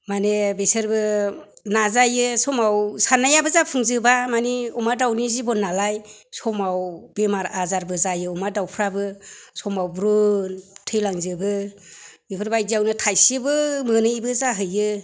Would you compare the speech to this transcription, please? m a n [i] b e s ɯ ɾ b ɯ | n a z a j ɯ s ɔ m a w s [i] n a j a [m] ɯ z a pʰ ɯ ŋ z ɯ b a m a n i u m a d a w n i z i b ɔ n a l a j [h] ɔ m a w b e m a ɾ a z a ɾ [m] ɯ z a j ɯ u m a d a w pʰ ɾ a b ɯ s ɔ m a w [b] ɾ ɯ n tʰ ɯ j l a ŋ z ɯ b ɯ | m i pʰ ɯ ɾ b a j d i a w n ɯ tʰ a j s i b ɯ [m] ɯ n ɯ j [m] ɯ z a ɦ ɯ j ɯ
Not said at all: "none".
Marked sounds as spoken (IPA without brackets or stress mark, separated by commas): e, a, b, s, b, b, m, b